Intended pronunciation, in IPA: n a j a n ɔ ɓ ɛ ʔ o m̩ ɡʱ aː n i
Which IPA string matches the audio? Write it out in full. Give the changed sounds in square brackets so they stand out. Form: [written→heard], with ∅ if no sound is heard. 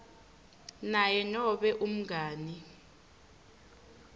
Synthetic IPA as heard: n a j [a→ɛ] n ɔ ɓ ɛ ʔ [o→u] m̩ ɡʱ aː n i